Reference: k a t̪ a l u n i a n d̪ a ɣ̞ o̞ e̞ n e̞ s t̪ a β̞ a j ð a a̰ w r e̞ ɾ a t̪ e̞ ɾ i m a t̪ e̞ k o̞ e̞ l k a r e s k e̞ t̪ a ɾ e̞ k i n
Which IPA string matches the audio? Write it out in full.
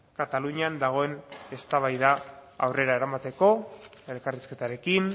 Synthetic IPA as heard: k a t̪ a l u ɲ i a n d̪ a ɣ̞ o̞ e̞ n e̞ s t̪ a β̞ a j ð a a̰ w r e̞ ɾ a e̞ ɾ a m a t̪ e̞ k o̞ e̞ l k a r i s k e̞ t̪ a ɾ e̞ k i n